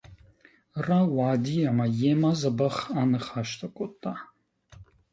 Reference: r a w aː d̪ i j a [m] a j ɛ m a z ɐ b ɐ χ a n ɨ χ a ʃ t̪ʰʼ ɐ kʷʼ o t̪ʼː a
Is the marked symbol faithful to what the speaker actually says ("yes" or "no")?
yes